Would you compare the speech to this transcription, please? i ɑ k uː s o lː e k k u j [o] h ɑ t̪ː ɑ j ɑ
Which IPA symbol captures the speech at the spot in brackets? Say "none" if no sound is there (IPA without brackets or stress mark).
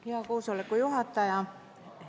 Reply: u